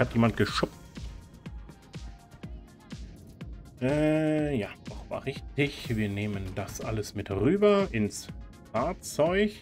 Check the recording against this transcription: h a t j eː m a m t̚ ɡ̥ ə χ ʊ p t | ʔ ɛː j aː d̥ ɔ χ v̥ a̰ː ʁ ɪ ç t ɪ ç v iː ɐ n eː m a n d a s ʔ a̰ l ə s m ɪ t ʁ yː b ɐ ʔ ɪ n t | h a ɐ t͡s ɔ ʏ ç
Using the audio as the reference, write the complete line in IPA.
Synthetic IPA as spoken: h a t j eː m a n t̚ ɡ̥ ə ʃ ʊ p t | ʔ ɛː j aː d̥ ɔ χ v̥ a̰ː ʁ ɪ ç t ɪ ç v iː ɐ n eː m ə n d a s ʔ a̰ l ə s m ɪ t ʁ yː b ɐ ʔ ɪ n s | f a ɐ t͡s ɔ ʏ ç

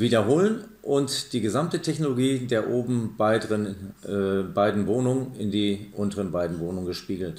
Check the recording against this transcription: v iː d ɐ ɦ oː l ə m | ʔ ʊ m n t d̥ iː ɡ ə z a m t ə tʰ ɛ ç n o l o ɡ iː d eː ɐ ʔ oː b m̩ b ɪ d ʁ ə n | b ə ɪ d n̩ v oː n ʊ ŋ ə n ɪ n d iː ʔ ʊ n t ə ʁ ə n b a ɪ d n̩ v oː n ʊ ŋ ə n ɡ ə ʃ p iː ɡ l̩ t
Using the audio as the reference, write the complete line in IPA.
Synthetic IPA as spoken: v iː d ɐ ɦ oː l ə n | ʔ ʊ n t d̥ iː ɡ ə z a m t ə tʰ ɛ ç n o l o ɡ iː d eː ɐ ʔ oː b m̩ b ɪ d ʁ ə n | b a ɪ d n̩ v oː n ʊ ŋ ə n ɪ n d iː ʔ ʊ n t ə ʁ ə n b a ɪ d n̩ v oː n ʊ ŋ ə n ɡ ə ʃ p iː ɡ l̩ t

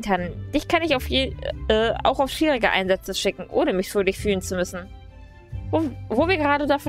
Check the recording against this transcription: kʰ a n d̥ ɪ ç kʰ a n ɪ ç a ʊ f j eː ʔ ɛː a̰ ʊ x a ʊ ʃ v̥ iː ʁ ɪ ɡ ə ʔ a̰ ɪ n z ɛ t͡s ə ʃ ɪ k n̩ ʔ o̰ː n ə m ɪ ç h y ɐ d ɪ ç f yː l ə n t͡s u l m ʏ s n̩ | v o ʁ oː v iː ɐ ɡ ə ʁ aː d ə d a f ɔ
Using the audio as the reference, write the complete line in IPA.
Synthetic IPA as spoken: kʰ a n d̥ ɪ ç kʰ a n ɪ ç a ʊ f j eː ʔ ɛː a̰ ʊ x a ʊ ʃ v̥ iː ʁ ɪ ɡ ə ʔ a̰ ɪ n z ɛ t͡s ə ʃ ɪ k ŋ̩ ʔ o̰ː n ə m ɪ ç f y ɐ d ɪ ç f yː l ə n t͡s u m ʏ s n̩ | v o v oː v iː ɐ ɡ ə ʁ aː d ə d a f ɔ

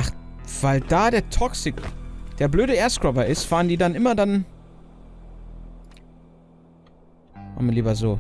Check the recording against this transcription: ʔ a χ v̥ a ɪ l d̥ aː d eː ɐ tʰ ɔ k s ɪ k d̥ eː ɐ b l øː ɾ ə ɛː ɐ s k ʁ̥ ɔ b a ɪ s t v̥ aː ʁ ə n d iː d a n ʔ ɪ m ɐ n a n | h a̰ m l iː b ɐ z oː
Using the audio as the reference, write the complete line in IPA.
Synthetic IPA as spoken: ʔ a χ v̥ a ɪ l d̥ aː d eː ɐ tʰ ɔ k s ɪ k d̥ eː ɐ b l øː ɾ ə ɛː ɐ s k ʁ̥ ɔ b ɐ ɪ s t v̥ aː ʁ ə n d iː d a n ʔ ɪ m ɐ d a n | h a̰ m l iː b ɐ z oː

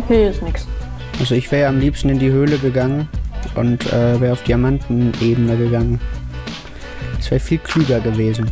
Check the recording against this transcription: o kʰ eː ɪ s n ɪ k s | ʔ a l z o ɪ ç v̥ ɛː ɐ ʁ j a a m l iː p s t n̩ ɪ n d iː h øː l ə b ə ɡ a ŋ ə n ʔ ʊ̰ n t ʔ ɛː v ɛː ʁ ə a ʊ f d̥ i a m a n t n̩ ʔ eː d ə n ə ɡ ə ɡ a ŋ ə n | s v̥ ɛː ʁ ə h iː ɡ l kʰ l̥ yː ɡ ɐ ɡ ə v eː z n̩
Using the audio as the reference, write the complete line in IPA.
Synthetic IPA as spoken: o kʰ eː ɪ s n ɪ k s | ʔ a l z o ɪ ç v̥ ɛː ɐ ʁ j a a m l iː p s t n̩ ɪ n d iː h øː l ə ɡ ə ɡ a ŋ ə n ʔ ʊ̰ n t ʔ ɛː v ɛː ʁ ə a ʊ f d̥ i a m a n t n̩ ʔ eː b ə n ə ɡ ə ɡ a ŋ ə n | s v̥ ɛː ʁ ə f iː l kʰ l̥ yː ɡ ɐ ɡ ə v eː z n̩

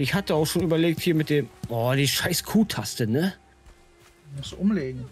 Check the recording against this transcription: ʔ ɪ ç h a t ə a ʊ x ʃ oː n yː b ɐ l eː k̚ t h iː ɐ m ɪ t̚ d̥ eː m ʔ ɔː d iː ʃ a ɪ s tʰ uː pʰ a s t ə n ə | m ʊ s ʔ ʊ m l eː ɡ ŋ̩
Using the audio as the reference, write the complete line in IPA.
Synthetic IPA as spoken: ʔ ɪ ç h a t ə a ʊ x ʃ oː n yː b ɐ l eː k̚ t h iː ɐ m ɪ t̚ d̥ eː m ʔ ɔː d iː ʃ a ɪ s kʰ uː tʰ a s t ə n ə | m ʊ s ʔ ʊ m l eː ɡ ŋ̩

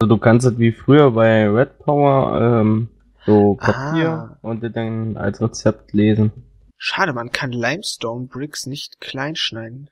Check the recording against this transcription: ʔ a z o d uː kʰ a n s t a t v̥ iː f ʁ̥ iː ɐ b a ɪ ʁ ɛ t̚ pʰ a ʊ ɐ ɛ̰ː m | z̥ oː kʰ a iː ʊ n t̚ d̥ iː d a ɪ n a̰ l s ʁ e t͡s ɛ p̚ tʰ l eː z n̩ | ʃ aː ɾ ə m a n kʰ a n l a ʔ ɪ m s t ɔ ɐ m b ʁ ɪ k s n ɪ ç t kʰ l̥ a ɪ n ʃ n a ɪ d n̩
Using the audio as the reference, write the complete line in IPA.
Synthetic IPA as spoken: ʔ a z o d uː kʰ a n s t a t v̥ iː f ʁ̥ yː ɐ b a ɪ ʁ ɛ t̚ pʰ a ʊ ɐ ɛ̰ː m | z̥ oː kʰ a iː ʊ n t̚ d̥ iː d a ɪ n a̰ l s ʁ e t͡s ɛ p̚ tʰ l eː z n̩ | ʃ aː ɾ ə m a n kʰ a n l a ɪ m s t ɔ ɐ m b ʁ ɪ k s n ɪ ç t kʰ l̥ a ɪ n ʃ n a ɪ d n̩

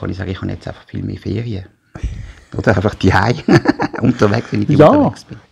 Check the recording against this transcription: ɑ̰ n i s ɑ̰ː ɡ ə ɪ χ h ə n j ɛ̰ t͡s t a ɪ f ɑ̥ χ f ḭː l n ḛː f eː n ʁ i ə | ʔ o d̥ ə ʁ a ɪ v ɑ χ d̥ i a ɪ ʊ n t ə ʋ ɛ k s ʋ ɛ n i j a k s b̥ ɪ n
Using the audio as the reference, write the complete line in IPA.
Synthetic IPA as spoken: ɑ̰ n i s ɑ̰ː ɡ ə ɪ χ h ɑ n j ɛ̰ t͡s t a ɪ f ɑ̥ χ f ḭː l m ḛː f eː ʁ i ə | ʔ o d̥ ə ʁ a ɪ f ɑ χ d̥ i a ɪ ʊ n t ə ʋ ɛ k s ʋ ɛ n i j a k s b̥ ɪ n

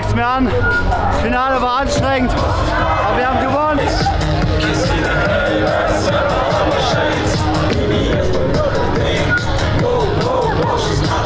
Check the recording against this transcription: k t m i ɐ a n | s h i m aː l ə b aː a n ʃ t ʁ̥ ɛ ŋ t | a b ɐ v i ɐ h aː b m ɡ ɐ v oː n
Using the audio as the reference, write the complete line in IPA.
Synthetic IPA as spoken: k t m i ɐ a n | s f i n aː l ə v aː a n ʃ t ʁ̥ ɛ ŋ t | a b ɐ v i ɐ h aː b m ɡ ə v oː n

